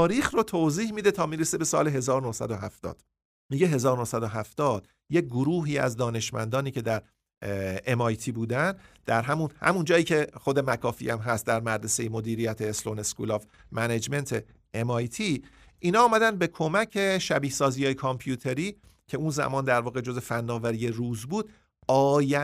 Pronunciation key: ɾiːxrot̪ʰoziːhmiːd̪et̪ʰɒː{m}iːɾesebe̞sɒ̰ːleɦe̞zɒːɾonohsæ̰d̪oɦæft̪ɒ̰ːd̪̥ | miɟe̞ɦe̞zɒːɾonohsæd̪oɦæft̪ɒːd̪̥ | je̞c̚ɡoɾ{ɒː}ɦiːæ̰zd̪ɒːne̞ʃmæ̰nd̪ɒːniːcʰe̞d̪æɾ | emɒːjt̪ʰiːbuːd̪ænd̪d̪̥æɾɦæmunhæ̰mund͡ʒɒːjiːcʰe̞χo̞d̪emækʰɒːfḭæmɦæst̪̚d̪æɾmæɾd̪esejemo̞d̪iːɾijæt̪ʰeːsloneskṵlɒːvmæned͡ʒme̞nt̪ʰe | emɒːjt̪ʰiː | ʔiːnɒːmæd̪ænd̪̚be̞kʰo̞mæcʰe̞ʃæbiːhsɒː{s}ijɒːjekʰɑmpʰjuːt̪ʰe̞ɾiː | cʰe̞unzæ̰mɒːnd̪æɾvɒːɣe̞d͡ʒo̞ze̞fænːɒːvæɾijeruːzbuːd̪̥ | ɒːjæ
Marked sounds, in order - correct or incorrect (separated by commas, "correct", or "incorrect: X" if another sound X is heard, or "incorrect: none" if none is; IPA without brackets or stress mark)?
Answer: correct, incorrect: uː, incorrect: z